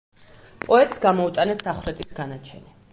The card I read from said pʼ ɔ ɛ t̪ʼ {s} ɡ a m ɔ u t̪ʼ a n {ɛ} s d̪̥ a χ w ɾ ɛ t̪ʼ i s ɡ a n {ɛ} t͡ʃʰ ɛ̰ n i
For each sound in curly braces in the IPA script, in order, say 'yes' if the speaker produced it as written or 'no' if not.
yes, yes, no

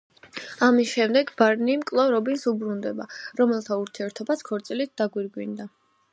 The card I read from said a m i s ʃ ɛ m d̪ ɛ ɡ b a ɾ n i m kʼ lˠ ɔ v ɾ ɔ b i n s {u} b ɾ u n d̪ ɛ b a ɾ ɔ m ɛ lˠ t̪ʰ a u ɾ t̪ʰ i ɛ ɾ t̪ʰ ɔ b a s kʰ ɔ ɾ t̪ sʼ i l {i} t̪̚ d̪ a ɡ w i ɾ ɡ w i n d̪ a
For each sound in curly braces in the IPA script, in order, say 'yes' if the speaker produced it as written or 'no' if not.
yes, yes

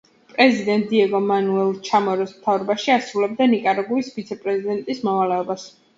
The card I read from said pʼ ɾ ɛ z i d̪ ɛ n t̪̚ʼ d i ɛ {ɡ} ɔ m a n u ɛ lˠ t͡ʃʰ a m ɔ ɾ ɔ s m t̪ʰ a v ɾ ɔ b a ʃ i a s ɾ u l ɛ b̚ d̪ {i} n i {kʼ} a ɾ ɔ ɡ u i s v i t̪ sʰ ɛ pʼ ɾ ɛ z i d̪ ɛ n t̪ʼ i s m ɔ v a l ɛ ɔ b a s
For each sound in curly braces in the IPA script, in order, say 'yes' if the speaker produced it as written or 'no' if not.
yes, no, yes

